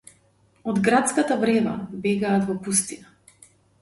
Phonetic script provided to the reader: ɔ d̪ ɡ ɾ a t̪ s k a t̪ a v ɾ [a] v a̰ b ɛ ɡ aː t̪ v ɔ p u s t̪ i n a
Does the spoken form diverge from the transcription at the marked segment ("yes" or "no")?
yes